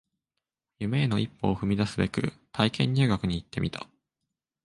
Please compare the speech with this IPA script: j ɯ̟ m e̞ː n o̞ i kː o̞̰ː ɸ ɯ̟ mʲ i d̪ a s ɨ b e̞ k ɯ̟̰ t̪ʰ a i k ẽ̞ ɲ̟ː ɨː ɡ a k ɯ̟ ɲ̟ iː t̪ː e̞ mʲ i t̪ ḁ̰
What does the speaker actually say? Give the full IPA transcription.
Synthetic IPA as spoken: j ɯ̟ m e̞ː n o̞ i pː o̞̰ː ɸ ɯ̟ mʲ i d̪ a s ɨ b e̞ k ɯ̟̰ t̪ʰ a i k ẽ̞ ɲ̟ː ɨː ɡ a k ɯ̟ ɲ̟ iː t̪ː e̞ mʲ i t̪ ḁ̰